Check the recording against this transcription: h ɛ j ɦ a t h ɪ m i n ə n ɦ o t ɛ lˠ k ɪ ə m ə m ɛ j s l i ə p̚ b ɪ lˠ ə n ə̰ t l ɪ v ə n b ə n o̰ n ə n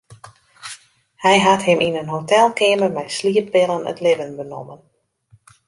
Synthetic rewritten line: h ɛ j ɦ a t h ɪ m i n ə n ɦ o t ɛ lˠ k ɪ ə m ə m ɛ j s l i ə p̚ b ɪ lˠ ə n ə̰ t l ɪ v ə n b ə n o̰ m ə n